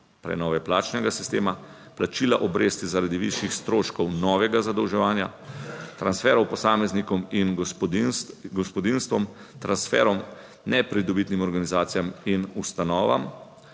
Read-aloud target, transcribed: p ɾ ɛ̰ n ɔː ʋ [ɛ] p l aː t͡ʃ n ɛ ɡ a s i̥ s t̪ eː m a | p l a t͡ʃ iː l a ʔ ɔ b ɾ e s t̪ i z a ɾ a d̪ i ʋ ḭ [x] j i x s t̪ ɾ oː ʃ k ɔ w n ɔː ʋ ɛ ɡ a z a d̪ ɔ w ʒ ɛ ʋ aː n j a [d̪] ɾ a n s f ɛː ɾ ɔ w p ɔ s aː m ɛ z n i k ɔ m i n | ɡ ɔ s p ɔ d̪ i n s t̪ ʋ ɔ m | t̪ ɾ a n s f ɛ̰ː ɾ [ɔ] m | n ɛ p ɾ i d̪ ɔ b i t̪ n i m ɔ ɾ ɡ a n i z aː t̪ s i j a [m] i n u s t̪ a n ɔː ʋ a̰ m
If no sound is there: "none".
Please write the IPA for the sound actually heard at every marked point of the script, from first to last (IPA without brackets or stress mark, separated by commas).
ɛ, ʃ, t̪, ɔ, m